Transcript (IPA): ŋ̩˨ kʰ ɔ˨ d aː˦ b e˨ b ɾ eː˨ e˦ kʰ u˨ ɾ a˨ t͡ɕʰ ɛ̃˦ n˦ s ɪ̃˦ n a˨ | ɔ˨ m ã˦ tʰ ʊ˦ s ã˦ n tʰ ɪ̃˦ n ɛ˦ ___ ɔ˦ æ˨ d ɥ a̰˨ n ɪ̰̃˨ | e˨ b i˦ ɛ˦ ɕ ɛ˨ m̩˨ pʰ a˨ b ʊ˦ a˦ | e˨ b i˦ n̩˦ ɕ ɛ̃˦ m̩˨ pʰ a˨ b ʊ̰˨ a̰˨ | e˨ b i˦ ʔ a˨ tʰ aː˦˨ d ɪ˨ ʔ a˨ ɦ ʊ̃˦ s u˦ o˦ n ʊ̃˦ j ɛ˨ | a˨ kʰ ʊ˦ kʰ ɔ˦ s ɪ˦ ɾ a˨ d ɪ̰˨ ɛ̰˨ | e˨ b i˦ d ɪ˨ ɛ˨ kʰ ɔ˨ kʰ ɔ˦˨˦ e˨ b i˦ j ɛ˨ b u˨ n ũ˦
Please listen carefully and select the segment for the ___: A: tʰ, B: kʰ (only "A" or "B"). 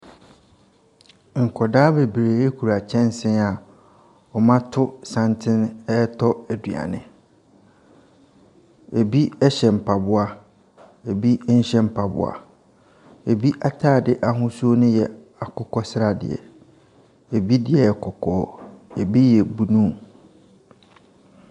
A